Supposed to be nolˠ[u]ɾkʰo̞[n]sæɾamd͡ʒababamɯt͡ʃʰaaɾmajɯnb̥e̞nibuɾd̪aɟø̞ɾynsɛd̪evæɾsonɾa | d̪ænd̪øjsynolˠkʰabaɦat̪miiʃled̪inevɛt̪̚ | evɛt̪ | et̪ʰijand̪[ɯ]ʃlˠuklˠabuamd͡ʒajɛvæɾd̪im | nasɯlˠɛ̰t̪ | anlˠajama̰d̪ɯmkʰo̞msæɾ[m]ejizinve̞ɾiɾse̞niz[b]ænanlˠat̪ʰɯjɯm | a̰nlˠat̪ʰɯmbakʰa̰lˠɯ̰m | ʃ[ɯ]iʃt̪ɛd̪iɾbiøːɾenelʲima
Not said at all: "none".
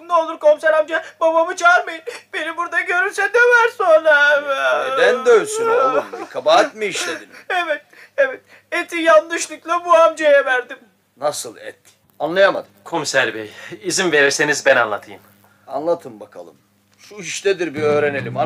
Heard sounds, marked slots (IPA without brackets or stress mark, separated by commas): u, m, ɯ, b, b, u